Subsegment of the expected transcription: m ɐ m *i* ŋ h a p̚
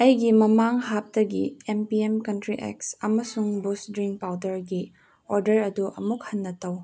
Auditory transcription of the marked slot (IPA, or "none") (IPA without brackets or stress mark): a